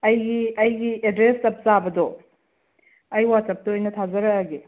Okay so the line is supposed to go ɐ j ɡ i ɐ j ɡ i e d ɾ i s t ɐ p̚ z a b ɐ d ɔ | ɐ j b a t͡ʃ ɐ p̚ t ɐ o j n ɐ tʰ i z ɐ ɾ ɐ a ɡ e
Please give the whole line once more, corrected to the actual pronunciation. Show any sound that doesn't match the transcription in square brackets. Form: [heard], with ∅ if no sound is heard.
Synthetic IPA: ɐ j ɡ i ɐ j ɡ i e d ɾ [e] s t ɐ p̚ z a b ɐ d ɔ | ɐ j [w] a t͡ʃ ɐ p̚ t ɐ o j n ɐ tʰ [a] z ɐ ɾ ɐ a ɡ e